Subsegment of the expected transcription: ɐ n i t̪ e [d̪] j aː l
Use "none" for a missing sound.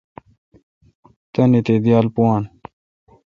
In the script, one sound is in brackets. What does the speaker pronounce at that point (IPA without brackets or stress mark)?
d̪